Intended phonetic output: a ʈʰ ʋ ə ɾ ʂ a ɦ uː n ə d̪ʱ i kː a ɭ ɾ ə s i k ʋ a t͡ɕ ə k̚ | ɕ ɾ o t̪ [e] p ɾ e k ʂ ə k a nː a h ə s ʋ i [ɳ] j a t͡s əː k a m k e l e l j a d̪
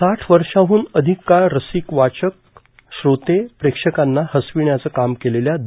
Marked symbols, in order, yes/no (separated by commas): yes, yes